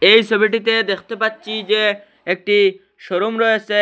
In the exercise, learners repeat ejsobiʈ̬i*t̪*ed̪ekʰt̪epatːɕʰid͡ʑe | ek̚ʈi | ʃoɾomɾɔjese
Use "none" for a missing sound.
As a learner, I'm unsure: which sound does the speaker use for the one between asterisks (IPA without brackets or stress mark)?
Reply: t̪